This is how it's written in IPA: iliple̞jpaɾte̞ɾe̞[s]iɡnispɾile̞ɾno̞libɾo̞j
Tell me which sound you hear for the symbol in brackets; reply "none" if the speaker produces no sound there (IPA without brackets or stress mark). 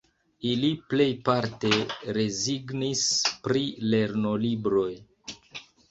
z